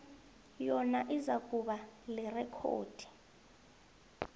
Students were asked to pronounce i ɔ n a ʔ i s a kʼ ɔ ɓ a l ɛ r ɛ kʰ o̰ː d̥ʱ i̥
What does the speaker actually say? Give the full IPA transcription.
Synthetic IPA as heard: j ɔ n a ʔ i z a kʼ u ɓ a l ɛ r ɛ kʰ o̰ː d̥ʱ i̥